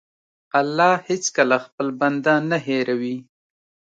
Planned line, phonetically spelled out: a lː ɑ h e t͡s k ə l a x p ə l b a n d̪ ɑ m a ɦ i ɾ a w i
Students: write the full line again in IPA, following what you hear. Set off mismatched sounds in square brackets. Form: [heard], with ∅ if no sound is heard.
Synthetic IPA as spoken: a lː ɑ h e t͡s k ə l a x p ə l b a n d̪ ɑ [n] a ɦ [e] ɾ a w i